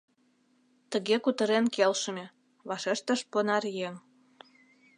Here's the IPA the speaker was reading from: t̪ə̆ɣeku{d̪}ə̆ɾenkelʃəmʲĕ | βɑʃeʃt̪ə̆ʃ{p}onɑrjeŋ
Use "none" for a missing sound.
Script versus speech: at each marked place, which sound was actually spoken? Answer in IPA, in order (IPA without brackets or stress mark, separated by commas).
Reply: t̪, p